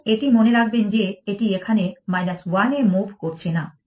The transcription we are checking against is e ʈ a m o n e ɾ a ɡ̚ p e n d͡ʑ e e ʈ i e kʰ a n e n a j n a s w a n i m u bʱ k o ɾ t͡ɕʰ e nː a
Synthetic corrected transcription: e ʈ i m o n e ɾ a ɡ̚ b e n d͡ʑ e e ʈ i e kʰ a n e m a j n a s w a n e m u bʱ k o ɾ t͡ɕʰ e n a